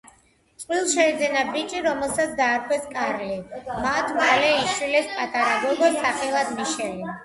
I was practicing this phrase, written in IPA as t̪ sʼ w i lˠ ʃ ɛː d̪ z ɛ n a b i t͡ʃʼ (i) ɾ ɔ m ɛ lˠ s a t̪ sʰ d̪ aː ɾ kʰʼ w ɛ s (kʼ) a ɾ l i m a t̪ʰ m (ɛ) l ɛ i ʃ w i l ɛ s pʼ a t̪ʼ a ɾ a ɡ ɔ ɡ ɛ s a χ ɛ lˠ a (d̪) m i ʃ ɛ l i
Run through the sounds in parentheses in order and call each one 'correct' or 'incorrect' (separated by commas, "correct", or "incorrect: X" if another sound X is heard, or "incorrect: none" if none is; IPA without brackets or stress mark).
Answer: correct, correct, incorrect: a, correct